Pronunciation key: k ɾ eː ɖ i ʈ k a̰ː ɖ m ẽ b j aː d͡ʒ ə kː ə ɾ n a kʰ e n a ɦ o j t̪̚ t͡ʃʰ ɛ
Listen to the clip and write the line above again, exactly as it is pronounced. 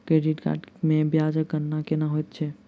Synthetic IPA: k ɾ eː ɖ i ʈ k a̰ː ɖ m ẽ b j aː d͡ʒ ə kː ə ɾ n a k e n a ɦ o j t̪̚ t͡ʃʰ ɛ